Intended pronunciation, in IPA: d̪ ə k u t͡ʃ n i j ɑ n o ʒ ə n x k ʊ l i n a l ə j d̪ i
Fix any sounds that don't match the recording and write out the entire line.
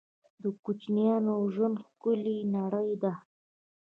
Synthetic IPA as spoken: d̪ ə k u t͡ʃ n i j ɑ n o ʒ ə n x k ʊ l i n a ɽ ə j d̪ a

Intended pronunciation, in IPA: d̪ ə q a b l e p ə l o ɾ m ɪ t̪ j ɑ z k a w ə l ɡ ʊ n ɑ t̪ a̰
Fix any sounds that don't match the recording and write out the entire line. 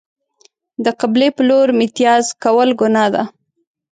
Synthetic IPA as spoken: d̪ ə q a b l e p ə l o ɾ m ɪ t̪ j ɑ z k a w ə l ɡ ʊ n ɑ d̪ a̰

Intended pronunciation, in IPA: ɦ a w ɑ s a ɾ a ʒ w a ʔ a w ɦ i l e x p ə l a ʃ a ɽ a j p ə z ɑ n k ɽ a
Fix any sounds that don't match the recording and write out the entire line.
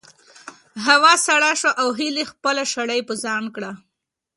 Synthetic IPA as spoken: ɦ a w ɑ s a ɽ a ʃ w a ʔ a w ɦ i l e x p ə l a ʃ a ɽ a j p ə z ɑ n k ɽ a

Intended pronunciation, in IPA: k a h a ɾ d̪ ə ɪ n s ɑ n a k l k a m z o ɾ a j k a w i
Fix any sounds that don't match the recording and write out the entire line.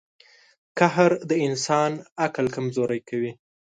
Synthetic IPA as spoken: k a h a ɾ d̪ ə ɪ n s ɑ n a k l k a m z o ɾ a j k a w i

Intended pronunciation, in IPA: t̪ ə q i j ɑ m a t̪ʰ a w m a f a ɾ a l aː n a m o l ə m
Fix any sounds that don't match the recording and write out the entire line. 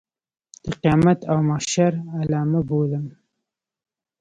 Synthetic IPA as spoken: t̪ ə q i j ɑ m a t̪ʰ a w m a ʃ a ɾ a l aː m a b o l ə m

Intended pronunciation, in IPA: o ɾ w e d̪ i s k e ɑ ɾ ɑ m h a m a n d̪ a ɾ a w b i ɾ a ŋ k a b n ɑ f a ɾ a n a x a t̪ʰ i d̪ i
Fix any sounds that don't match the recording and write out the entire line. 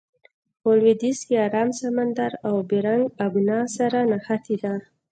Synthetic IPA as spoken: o l w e d̪ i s k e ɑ ɾ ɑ m s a m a n d̪ a ɾ a w b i ɾ a ŋ ɡ a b n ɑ s a ɾ a n a x a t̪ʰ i d̪ a

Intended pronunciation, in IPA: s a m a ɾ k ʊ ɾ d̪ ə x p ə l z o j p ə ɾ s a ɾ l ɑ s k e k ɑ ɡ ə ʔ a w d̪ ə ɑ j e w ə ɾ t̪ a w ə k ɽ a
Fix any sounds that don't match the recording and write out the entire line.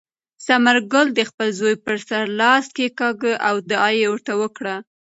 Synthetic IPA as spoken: s a m a ɾ ɡ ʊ l d̪ ə x p ə l z o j p ə ɾ s a ɾ l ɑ s k e k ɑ ɡ ə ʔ a w d̪ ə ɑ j e w ə ɾ t̪ a w ə k ɽ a

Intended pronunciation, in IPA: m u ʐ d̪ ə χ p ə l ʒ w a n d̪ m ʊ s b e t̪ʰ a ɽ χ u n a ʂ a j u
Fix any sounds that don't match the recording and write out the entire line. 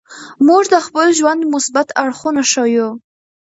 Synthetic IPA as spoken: m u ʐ d̪ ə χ p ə l ʒ w a n d̪ m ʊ s b a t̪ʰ a ɽ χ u n a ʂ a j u

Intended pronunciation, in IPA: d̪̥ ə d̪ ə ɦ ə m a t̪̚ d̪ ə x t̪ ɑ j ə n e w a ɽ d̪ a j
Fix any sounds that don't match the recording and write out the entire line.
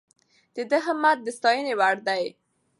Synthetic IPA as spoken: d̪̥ ə d̪ ə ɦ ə m a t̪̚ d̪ ə s t̪ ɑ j ə n e w a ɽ d̪ a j

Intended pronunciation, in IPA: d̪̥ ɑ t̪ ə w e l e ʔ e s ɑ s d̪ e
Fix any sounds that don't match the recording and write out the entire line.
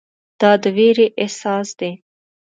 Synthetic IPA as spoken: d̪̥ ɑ d̪ ə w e ɾ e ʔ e s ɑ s d̪ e

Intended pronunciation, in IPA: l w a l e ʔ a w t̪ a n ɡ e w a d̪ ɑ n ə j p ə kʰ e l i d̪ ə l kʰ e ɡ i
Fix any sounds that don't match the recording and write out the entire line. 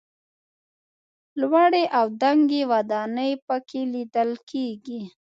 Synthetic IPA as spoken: l w a ɽ e ʔ a w d̪ a ŋ ɡ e w a d̪ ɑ n ə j p ə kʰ e l i d̪ ə l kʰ e ɡ i

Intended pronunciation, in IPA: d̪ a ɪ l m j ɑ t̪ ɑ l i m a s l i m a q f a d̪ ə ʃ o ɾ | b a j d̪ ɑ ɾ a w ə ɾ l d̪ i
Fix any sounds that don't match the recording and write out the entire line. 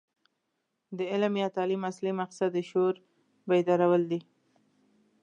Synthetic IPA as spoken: d̪ ə ɪ l m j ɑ t̪ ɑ l i m a s l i m a q s a d̪ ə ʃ o ɾ | b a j d̪ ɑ ɾ a w ə l d̪ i

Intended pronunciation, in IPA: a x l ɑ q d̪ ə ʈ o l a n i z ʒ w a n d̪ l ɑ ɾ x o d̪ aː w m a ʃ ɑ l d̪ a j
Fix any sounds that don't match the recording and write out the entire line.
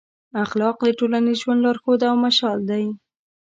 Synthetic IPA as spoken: a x l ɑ q d̪ ə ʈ o l a n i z ʒ w a n d̪ l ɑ ɾ x o d̪ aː w m a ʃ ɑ l d̪ a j

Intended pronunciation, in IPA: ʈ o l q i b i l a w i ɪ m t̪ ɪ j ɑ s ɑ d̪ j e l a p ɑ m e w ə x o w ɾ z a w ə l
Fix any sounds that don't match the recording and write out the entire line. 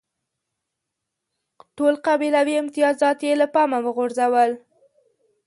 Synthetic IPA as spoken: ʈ o l q a b i l a w i ɪ m t̪ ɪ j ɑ z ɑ t̪ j e l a p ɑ m a w ə ɣ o ɾ z a w ə l

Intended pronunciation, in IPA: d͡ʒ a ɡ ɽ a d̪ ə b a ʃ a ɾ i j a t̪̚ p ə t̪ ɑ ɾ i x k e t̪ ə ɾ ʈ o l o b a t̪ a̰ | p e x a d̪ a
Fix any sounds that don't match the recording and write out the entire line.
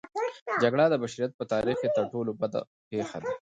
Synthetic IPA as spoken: d͡ʒ a ɡ ɽ a d̪ ə b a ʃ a ɾ i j a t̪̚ p ə t̪ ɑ ɾ i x k e t̪ ə ɾ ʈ o l o b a d̪ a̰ | p e x a d̪ a

